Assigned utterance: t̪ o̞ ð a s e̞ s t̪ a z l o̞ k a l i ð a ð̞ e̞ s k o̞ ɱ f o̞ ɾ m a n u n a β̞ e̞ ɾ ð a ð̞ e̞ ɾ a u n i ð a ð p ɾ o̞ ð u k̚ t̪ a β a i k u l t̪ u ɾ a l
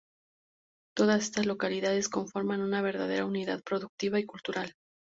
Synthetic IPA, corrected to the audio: t̪ o̞ ð a s e̞ s t̪ a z l o̞ k a l i ð a ð̞ e̞ s k o̞ ɱ f o̞ ɾ m a n u n a β̞ e̞ ɾ ð a ð̞ e̞ ɾ a u n i ð a ð p ɾ o̞ ð u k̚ t̪ i β a i k u l t̪ u ɾ a l